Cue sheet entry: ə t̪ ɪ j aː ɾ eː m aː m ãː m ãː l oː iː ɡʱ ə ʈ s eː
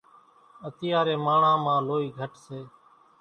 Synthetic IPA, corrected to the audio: ə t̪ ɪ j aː ɾ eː m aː ɳ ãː m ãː l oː iː ɡʱ ə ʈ s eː